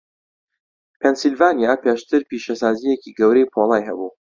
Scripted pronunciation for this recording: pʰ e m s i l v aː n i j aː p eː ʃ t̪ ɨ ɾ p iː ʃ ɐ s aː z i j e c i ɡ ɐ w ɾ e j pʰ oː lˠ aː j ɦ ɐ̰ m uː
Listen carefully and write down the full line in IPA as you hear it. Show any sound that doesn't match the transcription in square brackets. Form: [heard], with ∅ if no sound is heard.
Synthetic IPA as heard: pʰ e [n] s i l v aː n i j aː p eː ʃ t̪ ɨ ɾ p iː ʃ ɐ s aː z i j e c i ɡ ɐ w ɾ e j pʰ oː lˠ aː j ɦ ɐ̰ [b] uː